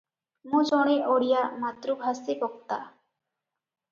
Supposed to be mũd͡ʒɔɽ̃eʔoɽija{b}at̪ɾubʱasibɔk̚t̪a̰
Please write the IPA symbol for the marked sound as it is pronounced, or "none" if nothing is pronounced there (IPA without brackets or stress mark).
m